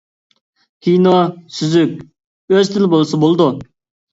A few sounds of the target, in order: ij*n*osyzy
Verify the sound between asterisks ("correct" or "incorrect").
correct